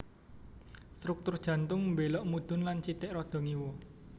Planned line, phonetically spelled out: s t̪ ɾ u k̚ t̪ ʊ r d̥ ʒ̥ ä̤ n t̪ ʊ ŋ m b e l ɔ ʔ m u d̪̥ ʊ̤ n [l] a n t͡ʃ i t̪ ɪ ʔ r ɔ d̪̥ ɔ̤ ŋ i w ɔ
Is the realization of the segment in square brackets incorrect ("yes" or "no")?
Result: no